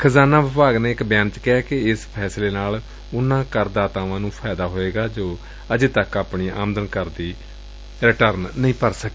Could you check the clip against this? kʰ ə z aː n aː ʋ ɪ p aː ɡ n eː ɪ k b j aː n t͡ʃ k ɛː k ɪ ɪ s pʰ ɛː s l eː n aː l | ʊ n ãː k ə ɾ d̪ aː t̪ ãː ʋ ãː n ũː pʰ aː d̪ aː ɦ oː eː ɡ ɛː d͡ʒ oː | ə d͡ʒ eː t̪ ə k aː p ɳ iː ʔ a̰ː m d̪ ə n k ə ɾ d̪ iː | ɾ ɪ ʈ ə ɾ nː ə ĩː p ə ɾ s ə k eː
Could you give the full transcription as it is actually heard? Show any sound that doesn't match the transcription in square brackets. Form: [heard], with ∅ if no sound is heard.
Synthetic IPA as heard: kʰ ə z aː n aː ʋ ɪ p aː ɡ n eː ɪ k b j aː n t͡ʃ k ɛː k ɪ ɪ s pʰ ɛː s l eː n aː l | ʊ n ãː k ə ɾ d̪ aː t̪ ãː ʋ ãː n ũː pʰ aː d̪ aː ɦ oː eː ɡ [aː] d͡ʒ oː | ə d͡ʒ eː t̪ ə k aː p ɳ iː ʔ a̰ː m d̪ ə n k ə ɾ d̪ iː | ɾ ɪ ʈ ə ɾ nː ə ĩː p ə ɾ s ə k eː